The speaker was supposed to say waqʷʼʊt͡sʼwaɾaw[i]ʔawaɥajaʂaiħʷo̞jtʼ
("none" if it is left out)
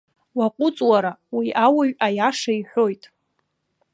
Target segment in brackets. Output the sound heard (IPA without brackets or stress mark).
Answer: i